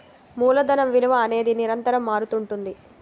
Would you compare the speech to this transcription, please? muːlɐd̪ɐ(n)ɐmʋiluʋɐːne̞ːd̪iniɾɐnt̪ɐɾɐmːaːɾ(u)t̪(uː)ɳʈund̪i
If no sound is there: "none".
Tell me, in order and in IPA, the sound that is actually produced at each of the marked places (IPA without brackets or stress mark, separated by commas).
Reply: n, u, u